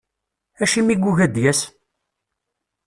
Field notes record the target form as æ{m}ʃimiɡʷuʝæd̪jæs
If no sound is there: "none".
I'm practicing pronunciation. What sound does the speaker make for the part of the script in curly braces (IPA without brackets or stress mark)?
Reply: none